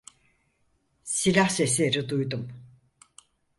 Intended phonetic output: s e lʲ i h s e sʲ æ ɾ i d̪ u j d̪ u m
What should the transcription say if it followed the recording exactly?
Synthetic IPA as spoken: s i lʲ a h s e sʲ e ɾ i d̪ u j d̪ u m